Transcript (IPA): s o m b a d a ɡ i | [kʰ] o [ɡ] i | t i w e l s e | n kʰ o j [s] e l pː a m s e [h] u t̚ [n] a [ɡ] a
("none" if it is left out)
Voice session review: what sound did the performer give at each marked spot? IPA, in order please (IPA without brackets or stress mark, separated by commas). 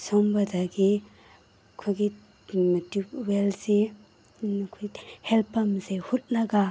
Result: kʰ, ɡ, h, h, n, ɡ